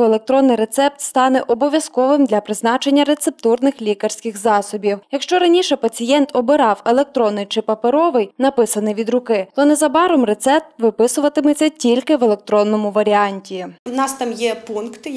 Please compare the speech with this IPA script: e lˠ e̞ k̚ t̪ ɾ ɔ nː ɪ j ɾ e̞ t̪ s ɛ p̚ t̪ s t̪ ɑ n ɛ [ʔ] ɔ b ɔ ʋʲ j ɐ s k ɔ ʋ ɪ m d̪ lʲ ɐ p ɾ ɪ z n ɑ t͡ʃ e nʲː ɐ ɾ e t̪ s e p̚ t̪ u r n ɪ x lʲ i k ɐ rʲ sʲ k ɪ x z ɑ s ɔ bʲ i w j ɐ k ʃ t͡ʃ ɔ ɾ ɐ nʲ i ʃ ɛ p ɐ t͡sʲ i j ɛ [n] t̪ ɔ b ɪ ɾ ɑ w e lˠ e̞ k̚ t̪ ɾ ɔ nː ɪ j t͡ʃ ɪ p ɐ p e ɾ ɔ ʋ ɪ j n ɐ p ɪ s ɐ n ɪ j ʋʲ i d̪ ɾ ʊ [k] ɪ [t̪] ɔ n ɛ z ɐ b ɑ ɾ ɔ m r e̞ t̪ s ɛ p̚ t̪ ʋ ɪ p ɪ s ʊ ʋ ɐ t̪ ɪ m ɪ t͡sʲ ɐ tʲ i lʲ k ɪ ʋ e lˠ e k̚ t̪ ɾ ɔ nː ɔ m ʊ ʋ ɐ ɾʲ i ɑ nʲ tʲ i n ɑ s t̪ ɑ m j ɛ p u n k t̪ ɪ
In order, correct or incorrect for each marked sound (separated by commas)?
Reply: correct, correct, correct, correct